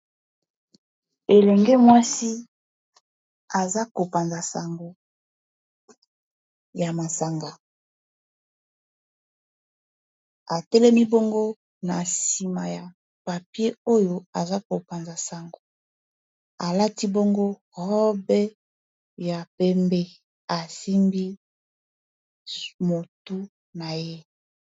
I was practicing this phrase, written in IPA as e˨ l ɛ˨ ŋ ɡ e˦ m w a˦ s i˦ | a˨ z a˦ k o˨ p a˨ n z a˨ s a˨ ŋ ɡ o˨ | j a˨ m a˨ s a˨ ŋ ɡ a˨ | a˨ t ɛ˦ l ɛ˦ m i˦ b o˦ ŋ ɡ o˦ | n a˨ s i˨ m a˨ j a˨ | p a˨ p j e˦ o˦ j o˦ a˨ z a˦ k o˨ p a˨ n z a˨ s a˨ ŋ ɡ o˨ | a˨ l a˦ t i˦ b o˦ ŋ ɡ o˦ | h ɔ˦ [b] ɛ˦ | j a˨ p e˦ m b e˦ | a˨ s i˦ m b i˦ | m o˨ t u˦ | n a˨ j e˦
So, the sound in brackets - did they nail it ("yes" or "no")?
yes